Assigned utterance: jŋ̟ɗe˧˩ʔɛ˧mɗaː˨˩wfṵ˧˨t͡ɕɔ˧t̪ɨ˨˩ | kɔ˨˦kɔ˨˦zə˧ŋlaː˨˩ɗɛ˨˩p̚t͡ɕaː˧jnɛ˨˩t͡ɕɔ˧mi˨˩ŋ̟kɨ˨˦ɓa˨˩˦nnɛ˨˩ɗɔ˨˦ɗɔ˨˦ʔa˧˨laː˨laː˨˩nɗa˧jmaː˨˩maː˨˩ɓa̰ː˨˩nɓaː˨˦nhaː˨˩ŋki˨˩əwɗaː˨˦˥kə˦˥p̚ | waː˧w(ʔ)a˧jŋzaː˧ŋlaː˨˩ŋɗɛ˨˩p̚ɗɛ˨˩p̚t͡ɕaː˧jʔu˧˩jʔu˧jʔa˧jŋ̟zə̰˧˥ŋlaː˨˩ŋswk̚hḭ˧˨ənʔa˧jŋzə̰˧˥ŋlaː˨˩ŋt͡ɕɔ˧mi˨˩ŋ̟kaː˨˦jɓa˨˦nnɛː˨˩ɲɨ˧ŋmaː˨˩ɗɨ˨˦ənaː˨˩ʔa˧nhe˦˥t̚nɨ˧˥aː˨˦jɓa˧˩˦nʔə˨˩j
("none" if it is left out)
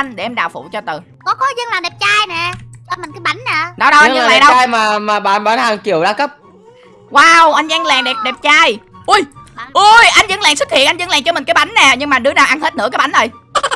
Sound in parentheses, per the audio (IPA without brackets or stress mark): ʔ